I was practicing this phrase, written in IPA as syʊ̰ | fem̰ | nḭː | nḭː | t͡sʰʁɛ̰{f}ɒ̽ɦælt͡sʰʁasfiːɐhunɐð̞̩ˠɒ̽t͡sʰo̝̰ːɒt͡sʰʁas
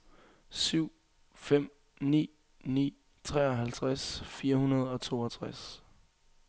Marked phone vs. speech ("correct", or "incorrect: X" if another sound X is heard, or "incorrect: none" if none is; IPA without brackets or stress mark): incorrect: none